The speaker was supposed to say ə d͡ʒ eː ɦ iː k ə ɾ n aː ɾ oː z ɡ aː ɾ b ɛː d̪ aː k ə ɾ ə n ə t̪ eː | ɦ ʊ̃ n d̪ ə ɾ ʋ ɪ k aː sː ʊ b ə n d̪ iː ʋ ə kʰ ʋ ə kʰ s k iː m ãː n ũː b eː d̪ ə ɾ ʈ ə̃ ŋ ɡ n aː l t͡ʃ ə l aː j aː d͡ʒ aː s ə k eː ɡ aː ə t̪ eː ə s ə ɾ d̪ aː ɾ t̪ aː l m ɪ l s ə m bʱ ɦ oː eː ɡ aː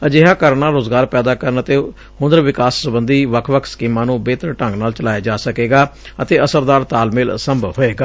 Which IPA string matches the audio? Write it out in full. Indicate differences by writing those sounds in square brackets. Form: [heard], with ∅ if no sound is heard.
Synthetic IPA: ə d͡ʒ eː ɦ [aː] k ə ɾ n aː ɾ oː z ɡ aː ɾ [p] ɛː d̪ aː k ə ɾ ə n ə t̪ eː | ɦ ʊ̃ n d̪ ə ɾ ʋ ɪ k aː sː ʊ b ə n d̪ iː ʋ ə kʰ ʋ ə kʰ s k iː m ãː n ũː b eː [t̪] ə ɾ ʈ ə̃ ŋ ɡ n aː l t͡ʃ ə l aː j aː d͡ʒ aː s ə k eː ɡ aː ə t̪ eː ə s ə ɾ d̪ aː ɾ t̪ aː l m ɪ l s ə m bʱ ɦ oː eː ɡ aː